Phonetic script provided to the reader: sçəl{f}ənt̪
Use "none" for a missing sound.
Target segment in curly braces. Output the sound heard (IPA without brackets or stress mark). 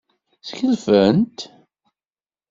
f